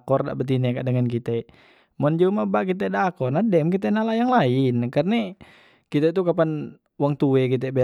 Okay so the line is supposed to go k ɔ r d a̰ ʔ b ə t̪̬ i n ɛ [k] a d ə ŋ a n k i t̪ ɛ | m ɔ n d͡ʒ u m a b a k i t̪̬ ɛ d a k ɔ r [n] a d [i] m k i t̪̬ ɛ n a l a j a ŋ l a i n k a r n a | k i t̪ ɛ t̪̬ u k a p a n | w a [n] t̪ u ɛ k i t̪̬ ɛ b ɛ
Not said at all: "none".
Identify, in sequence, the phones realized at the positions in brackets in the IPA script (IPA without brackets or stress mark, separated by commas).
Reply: k, n, ɛ, ŋ